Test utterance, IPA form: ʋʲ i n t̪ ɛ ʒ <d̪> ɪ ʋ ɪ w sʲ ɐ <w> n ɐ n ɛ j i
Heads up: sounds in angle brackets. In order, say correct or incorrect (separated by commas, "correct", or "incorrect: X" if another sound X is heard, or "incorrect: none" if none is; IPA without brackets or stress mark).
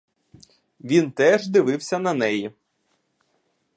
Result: correct, incorrect: none